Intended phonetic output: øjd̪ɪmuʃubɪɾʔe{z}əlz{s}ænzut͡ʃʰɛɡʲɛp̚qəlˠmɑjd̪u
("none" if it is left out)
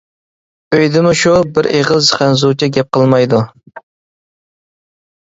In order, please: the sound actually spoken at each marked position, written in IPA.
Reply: ʁ, χ

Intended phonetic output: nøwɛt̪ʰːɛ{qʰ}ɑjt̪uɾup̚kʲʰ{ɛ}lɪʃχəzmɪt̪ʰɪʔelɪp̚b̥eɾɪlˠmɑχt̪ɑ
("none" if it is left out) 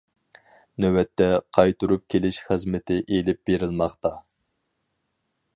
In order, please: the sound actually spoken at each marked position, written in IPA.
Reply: qʰ, e

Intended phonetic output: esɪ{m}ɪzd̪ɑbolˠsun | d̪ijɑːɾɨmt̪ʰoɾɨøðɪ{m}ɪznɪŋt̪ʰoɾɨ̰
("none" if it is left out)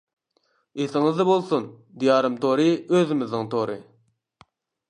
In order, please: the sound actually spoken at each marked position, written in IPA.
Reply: ŋ, m

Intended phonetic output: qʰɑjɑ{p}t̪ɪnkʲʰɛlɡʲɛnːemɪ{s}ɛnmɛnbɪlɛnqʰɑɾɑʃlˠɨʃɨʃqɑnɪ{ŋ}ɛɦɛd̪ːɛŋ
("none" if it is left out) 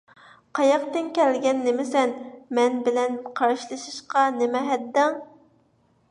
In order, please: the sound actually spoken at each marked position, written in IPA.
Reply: q, s, m

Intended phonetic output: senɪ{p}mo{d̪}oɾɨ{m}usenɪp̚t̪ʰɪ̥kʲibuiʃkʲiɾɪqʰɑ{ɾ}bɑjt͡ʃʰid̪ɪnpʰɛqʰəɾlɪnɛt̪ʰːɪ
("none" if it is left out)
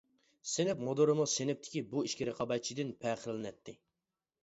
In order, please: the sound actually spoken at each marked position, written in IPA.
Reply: p, d̪, m, none

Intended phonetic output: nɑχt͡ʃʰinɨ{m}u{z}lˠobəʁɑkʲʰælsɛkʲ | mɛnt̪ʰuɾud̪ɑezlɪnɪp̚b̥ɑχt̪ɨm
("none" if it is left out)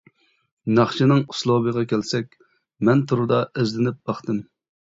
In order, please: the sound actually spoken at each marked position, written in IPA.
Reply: ŋ, s

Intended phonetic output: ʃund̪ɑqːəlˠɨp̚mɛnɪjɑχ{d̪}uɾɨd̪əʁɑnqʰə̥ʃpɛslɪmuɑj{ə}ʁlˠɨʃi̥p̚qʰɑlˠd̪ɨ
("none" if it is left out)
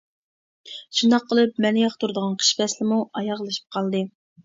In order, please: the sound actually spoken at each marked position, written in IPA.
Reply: t̪, ɑ

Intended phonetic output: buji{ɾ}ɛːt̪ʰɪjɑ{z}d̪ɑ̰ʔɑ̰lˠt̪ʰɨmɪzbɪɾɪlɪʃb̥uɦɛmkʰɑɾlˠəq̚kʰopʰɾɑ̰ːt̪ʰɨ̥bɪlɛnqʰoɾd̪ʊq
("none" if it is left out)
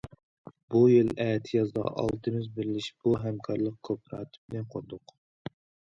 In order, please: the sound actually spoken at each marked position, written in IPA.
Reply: l, z

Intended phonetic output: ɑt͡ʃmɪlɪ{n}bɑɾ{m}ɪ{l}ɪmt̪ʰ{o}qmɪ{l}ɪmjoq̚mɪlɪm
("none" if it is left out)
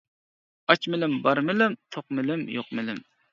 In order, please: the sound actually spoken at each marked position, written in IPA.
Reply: m, m, l, o, l

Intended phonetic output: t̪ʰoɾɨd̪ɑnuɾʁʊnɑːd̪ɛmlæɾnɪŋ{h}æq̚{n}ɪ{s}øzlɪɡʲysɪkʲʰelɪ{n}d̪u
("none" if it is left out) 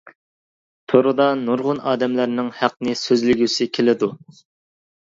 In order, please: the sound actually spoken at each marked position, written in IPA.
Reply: h, n, s, none

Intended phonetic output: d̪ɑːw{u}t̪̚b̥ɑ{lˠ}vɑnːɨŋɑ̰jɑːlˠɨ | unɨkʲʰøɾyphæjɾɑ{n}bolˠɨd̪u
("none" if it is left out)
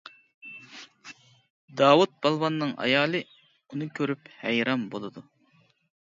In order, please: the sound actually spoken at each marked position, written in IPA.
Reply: u, lˠ, m

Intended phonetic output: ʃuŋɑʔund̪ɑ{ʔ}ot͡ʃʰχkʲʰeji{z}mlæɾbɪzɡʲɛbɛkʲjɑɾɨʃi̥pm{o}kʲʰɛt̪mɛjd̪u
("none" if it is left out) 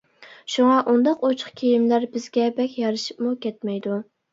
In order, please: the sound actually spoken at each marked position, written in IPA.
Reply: q, none, u

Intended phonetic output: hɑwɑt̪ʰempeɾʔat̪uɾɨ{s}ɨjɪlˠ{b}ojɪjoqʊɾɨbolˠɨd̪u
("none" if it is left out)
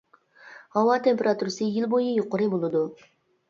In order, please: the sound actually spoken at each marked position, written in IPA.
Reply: s, b

